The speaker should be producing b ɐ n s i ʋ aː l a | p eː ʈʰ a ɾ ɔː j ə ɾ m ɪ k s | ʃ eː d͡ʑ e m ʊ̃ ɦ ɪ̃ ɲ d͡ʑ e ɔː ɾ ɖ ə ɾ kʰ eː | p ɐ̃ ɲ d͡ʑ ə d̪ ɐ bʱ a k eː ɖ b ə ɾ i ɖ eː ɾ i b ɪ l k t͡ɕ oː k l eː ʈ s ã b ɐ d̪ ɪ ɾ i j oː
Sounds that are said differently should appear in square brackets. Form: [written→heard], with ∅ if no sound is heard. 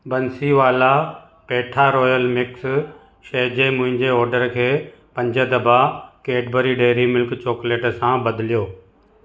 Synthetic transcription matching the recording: b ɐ n s i ʋ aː l a | p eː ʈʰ a ɾ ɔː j ə [ɾ→l] m ɪ k s | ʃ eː d͡ʑ e m ʊ̃ ɦ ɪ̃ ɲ d͡ʑ e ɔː ɾ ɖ ə ɾ kʰ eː | p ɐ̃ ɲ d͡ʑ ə d̪ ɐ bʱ a k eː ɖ b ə ɾ i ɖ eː ɾ i [b→m] ɪ l k t͡ɕ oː k l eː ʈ s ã b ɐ d̪ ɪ [ɾ→l] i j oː